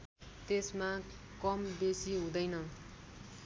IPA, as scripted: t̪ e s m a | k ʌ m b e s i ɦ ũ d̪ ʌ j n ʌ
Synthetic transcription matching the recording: t̪ e s m a | k ʌ m b e s i ɦ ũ d̪ ʌ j n ʌ